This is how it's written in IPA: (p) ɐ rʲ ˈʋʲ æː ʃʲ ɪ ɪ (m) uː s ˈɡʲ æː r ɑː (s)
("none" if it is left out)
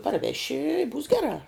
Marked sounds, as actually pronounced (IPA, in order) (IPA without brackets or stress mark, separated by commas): p, b, none